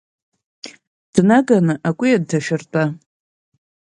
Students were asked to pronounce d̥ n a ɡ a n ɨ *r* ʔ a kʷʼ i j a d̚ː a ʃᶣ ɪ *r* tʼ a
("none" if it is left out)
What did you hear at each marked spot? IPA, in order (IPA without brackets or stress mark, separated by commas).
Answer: none, r